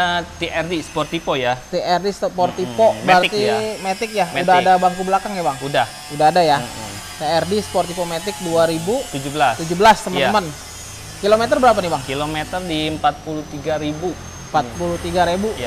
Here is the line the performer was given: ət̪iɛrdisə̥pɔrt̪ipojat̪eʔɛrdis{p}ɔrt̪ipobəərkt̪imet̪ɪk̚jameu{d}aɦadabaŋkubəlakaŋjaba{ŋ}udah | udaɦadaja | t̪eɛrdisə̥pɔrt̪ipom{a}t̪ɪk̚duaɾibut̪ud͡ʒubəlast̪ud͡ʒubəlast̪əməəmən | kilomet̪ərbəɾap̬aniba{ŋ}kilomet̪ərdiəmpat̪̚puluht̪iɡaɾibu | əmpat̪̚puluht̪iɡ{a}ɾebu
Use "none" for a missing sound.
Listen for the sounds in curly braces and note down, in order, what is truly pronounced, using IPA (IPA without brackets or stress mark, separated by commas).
p, d, ŋ, e, ŋ, a